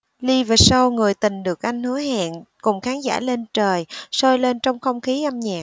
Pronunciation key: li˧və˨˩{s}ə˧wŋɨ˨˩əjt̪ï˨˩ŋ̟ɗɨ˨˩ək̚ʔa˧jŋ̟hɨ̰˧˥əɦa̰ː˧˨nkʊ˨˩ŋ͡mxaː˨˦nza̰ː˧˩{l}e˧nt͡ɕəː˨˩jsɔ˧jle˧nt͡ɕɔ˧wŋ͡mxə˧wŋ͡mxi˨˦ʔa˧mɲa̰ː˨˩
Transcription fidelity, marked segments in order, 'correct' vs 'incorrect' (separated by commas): correct, correct